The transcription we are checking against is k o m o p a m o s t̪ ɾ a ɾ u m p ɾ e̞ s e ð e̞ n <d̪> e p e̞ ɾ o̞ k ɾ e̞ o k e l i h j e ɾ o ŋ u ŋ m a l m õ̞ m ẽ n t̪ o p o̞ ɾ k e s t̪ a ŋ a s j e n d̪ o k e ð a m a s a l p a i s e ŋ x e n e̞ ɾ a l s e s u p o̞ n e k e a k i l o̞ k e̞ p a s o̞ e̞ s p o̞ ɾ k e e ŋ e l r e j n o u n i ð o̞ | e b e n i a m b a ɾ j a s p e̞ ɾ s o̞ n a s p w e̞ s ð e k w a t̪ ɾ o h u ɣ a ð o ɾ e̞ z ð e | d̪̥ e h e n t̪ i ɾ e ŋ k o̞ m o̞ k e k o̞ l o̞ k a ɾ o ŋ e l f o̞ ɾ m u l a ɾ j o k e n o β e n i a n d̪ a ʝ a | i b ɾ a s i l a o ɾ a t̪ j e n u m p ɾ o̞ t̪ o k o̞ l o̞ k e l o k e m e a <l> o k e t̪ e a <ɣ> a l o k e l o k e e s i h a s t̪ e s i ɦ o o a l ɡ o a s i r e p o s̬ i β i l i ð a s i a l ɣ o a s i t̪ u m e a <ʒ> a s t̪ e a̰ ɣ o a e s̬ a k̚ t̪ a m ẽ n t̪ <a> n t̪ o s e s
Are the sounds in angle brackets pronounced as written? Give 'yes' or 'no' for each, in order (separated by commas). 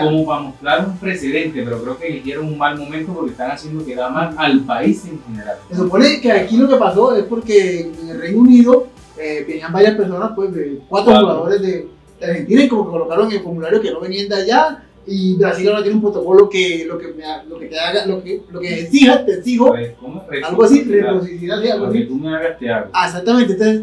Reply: no, yes, yes, no, no